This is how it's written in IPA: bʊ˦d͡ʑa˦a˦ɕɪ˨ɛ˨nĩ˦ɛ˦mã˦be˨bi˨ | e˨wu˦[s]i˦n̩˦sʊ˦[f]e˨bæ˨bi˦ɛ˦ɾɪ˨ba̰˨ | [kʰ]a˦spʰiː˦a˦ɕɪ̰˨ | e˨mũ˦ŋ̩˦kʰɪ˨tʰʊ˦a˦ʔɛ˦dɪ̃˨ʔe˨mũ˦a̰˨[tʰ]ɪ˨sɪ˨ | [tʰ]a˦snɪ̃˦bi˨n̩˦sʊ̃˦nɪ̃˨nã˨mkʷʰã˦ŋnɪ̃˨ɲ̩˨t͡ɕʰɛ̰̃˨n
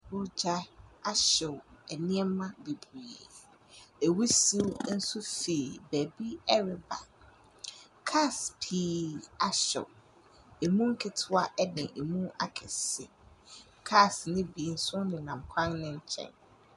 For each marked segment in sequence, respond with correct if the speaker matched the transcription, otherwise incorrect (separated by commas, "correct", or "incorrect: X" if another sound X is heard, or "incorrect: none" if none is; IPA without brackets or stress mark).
correct, correct, correct, incorrect: kʰ, incorrect: kʰ